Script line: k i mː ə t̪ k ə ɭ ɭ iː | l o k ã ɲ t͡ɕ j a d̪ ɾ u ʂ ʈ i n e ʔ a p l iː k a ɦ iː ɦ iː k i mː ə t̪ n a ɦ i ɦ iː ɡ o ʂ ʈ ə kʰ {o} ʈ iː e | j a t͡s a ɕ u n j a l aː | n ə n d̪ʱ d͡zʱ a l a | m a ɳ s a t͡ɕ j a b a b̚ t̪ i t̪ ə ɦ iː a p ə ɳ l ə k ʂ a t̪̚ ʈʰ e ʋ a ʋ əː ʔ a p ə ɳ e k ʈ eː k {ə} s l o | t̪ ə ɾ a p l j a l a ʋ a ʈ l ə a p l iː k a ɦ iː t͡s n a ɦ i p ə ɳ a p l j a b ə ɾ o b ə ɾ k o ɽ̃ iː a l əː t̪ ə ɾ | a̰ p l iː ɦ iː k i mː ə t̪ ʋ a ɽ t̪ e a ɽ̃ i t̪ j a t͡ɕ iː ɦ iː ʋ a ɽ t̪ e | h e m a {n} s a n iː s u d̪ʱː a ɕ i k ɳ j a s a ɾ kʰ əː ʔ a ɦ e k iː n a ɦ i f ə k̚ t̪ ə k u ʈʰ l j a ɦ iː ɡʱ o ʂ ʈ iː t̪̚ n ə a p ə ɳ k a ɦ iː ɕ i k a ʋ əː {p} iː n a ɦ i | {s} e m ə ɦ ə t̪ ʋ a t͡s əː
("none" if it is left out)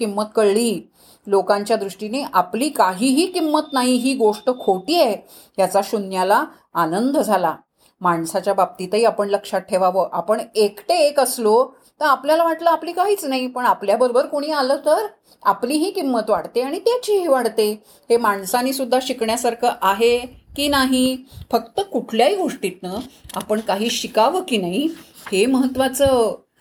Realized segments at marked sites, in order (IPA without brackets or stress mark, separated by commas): o, ə, ɳ, k, h